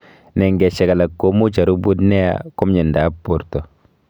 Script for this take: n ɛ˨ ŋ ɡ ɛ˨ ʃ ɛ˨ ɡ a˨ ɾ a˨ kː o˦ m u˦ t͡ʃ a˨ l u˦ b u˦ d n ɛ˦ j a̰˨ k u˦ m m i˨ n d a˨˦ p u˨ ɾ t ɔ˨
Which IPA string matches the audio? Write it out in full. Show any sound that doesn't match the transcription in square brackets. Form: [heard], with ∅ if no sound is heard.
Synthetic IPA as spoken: n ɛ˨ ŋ ɡ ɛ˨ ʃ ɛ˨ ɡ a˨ [l] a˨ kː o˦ m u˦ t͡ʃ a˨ [ɾ] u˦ b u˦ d n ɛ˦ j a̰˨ k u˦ m [ɲ] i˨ n d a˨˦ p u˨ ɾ t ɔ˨